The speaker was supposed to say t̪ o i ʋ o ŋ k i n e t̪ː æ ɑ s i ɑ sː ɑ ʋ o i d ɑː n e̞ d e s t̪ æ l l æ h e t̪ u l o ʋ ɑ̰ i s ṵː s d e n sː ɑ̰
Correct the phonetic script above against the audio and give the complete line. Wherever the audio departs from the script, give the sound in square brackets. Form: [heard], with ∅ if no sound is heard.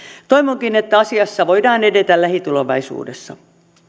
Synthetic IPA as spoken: t̪ o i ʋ o ŋ k i n e t̪ː æ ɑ s i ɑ sː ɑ ʋ o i d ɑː n e̞ d e [∅] t̪ æ l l æ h [i] t̪ u l o ʋ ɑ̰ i s ṵː [∅] d e [∅] sː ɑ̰